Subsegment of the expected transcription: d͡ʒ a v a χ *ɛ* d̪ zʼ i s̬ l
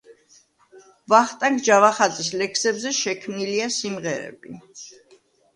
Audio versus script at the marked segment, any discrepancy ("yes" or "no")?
yes